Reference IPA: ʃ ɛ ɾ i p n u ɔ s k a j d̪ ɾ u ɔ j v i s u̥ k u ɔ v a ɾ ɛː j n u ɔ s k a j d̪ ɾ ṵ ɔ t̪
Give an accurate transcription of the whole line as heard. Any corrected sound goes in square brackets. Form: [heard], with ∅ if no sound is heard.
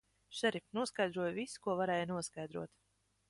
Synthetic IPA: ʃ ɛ ɾ i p n u ɔ s k a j d̪ ɾ u ɔ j v i s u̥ k u ɔ v a ɾ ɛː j n u ɔ s k a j d̪ ɾ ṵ ɔ t̪